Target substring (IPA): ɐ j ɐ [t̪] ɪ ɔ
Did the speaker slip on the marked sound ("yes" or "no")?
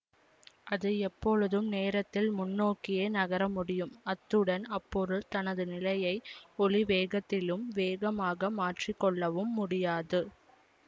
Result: yes